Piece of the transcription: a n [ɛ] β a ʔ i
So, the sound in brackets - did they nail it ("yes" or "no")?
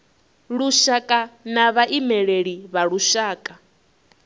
no